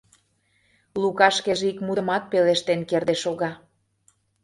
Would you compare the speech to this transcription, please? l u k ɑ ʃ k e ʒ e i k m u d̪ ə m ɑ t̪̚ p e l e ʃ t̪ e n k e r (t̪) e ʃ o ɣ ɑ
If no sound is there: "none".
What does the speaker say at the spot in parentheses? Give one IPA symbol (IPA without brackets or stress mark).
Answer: d̪